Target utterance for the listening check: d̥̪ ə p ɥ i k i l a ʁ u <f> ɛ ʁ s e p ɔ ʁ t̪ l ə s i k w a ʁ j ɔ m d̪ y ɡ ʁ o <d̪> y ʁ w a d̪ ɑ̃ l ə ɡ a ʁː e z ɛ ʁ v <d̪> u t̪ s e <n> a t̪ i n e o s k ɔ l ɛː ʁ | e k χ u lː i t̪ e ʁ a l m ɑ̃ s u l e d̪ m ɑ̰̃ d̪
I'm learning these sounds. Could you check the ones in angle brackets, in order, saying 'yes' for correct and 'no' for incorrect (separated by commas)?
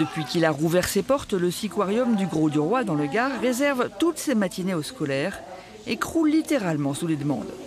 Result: no, yes, no, no